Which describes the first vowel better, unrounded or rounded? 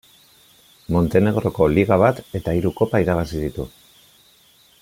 rounded